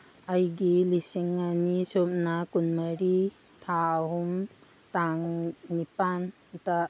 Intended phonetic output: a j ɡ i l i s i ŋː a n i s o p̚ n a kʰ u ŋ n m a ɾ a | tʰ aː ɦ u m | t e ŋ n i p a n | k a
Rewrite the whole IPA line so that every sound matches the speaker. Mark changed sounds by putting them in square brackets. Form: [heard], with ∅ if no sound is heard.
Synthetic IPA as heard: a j ɡ i l i s i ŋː a n i s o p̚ n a [k] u [∅] n m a ɾ [i] | tʰ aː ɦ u m | t [a] ŋ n i p a n | [t] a